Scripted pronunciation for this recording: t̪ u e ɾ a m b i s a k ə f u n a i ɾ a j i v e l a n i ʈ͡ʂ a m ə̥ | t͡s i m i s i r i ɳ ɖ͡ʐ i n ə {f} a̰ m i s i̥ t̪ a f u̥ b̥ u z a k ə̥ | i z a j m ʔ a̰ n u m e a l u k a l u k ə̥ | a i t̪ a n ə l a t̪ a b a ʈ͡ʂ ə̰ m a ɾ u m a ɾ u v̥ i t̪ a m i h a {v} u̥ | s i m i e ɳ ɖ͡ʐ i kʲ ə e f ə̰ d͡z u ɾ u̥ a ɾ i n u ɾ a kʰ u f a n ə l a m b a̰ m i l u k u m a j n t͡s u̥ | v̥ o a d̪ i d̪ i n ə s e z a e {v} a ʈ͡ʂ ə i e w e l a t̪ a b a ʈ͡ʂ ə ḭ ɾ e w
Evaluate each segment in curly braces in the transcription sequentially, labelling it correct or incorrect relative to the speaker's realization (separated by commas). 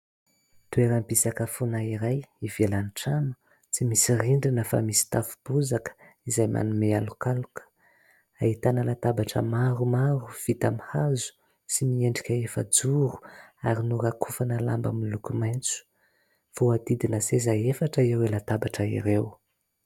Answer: correct, incorrect, incorrect